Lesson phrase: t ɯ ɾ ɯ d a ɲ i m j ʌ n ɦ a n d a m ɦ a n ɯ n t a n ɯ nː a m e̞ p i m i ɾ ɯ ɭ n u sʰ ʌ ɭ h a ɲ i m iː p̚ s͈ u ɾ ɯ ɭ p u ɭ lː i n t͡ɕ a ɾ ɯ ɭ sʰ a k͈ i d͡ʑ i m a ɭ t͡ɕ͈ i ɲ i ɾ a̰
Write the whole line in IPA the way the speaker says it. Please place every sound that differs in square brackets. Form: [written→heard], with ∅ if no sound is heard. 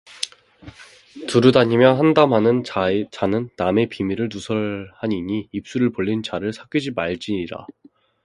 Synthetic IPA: t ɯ ɾ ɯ d a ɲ i m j ʌ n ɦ a n d a m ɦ a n ɯ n [t→t͡ɕ] a n ɯ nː a m e̞ p i m i ɾ ɯ ɭ n u sʰ ʌ ɭ h a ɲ i [m→ɲ] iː p̚ s͈ u ɾ ɯ ɭ p [u→o] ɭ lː i n t͡ɕ a ɾ ɯ ɭ sʰ a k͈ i d͡ʑ i m a ɭ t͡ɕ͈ i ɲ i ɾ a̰

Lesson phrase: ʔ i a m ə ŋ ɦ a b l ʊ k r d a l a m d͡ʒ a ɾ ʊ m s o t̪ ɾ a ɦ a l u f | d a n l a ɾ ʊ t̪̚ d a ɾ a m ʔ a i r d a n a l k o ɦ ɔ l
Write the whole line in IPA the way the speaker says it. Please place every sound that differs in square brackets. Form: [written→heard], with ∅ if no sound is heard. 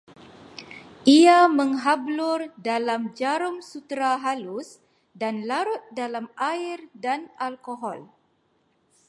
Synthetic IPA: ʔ i a m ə ŋ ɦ a b l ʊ [k→∅] r d a l a m d͡ʒ a ɾ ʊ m s [o→u] t̪ ɾ a ɦ a l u [f→s] | d a n l a ɾ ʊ t̪̚ d a [ɾ→l] a m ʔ a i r d a n a l k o ɦ ɔ l

